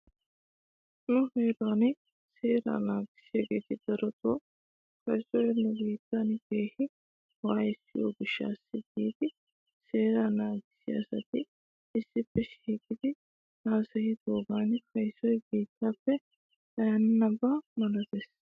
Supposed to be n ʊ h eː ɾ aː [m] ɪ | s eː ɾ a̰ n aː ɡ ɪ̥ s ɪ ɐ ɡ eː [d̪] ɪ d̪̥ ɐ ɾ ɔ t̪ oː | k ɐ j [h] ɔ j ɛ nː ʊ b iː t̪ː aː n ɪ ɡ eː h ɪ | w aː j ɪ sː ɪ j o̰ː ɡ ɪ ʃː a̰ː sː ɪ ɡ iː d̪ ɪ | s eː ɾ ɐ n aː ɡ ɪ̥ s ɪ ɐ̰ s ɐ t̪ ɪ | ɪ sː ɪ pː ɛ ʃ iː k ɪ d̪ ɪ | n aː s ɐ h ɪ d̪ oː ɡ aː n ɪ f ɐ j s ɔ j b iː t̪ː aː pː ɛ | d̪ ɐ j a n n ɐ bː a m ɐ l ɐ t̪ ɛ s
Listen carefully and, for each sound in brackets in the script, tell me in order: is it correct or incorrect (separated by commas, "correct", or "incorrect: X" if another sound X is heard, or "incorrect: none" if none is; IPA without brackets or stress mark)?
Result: incorrect: n, incorrect: t̪, incorrect: s